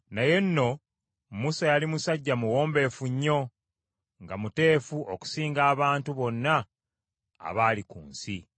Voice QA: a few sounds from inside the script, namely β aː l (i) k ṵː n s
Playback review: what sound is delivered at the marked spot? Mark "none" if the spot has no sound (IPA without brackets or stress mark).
i